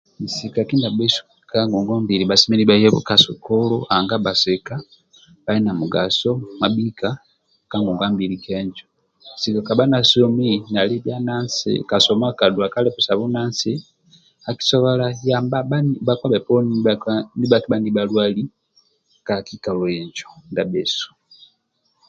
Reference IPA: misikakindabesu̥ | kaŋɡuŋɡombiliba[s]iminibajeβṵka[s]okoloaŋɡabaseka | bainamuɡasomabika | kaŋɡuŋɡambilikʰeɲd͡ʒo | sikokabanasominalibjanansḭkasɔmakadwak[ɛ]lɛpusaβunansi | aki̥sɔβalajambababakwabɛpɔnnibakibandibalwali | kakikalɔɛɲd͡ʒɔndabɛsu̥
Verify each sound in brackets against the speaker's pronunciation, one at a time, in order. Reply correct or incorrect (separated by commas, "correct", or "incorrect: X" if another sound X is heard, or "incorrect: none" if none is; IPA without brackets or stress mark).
correct, correct, incorrect: a